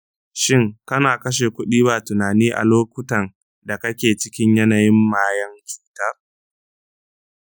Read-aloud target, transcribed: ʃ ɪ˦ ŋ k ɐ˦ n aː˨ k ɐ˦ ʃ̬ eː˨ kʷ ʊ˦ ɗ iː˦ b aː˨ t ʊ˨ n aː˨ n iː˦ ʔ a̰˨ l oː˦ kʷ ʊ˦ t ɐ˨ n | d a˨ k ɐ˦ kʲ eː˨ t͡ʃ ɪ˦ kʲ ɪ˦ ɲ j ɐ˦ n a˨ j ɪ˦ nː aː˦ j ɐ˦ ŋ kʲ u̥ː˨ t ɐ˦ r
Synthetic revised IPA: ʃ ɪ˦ ŋ k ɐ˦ n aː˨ k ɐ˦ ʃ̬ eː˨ kʷ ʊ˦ ɗ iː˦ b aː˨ t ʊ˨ n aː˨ n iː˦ ʔ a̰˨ l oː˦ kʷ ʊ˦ t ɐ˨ n | d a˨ k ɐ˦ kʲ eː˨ t͡ʃ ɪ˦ kʲ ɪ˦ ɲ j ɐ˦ n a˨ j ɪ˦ mː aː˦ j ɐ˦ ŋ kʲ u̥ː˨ t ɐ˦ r